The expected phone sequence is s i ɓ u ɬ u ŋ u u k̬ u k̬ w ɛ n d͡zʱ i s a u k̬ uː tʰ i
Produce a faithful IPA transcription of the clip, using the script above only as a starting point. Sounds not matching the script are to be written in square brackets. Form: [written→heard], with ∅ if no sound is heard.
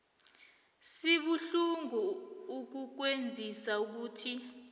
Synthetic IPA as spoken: s i ɓ u ɬ u ŋ u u k̬ u k̬ w [ɛ→e] n d͡zʱ i s a u k̬ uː tʰ i